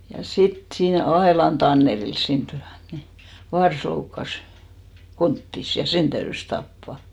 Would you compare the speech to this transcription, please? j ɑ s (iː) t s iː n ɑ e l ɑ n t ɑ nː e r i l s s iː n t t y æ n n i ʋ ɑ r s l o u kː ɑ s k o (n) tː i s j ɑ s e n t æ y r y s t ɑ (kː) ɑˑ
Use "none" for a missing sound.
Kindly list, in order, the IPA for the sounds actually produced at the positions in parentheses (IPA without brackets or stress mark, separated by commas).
i, n, pː